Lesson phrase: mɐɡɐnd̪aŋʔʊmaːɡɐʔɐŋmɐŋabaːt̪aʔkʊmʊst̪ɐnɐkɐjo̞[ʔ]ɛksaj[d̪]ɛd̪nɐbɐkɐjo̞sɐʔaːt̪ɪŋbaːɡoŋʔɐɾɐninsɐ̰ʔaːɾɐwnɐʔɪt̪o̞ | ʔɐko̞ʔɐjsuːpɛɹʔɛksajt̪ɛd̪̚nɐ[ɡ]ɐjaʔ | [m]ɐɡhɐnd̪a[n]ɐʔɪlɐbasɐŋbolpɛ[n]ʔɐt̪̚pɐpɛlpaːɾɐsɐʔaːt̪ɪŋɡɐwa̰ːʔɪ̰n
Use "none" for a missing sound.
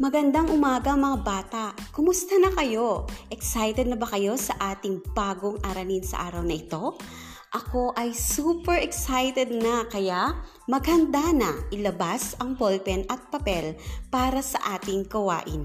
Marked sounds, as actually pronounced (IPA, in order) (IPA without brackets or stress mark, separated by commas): ʔ, t̪, k, m, n, n